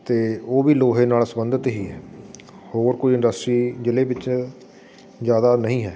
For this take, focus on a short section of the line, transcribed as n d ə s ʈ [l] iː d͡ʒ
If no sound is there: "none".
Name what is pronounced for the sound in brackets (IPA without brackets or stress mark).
ɾ